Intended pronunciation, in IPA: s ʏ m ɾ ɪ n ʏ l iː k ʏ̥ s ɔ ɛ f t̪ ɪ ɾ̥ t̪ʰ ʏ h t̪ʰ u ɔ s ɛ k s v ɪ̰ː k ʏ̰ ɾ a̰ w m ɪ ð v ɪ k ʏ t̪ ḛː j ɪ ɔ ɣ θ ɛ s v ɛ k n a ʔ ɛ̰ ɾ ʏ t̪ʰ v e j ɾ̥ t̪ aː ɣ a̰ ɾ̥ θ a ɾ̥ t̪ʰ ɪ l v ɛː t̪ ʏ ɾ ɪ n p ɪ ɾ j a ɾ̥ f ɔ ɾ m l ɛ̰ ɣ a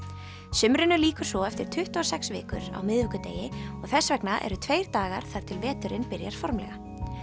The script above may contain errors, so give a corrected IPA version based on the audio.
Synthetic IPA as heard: s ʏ m ɾ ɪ n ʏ l iː k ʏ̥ s ɔ ɛ f t̪ ɪ ɾ̥ t̪ʰ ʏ h t̪ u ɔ s ɛ k s v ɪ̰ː k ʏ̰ ɾ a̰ w m ɪ ð v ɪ k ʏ t̪ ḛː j ɪ ɔ ɣ θ ɛ s v ɛ k n a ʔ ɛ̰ ɾ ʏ t̪ʰ v e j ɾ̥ t̪ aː ɣ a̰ ɾ̥ θ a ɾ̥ t̪ʰ ɪ l v ɛː t̪ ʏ ɾ ɪ n p ɪ ɾ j a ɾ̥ f ɔ ɾ m l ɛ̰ ɣ a